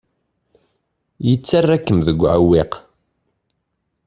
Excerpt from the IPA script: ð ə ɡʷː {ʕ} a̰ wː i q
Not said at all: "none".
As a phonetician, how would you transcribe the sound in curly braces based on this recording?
ʕ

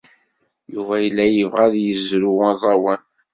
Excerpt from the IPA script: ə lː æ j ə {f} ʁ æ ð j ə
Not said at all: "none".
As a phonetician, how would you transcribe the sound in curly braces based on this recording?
v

